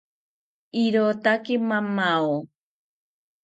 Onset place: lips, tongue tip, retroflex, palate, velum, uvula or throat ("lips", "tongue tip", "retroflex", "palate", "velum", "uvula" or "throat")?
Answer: tongue tip